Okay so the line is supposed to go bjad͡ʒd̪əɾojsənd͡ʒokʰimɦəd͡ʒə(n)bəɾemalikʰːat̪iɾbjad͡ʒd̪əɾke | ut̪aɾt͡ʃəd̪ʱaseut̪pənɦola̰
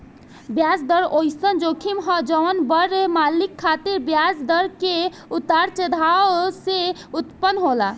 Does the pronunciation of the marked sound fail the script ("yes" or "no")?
no